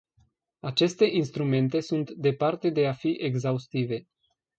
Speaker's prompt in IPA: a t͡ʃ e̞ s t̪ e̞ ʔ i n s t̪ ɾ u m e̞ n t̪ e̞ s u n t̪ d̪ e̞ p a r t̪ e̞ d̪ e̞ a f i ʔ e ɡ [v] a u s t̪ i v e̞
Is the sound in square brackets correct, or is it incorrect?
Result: incorrect